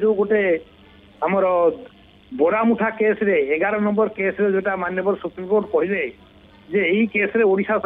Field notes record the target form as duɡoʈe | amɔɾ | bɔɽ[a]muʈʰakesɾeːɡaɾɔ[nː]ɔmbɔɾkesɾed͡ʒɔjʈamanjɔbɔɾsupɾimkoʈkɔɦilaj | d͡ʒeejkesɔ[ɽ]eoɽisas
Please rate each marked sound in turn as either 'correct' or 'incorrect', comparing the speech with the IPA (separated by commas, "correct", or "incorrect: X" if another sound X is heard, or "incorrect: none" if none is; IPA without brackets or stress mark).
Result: correct, incorrect: n, incorrect: ɾ